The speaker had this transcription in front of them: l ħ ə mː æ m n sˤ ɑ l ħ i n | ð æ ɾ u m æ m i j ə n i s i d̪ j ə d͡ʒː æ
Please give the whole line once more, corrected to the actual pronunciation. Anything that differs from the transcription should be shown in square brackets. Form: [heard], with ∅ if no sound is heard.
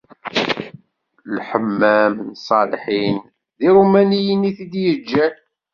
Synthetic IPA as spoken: l ħ ə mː æ m n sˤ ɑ l ħ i n | ð [i] ɾ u m æ [n] i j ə n i [θ] i d̪ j ə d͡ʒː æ